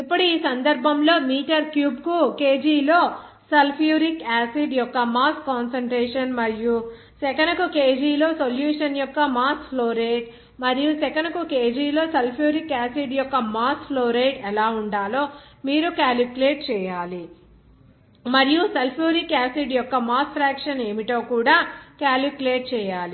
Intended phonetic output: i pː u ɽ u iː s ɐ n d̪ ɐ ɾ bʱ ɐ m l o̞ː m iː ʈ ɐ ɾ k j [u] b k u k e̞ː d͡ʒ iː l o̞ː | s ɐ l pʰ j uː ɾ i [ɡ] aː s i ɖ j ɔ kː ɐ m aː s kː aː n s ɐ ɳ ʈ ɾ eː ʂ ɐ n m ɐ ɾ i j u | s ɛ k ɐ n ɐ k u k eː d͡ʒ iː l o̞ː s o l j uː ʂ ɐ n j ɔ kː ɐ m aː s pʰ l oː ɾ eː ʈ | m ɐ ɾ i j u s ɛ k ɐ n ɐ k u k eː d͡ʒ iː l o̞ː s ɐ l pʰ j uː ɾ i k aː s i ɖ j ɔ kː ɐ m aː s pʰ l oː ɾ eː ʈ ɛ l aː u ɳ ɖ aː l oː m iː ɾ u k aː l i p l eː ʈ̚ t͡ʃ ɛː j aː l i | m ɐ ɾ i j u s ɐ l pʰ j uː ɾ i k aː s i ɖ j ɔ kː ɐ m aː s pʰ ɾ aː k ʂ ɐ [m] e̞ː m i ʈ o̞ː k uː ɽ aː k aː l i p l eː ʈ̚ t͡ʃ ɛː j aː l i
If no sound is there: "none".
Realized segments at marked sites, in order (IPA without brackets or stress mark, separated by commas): uː, k, n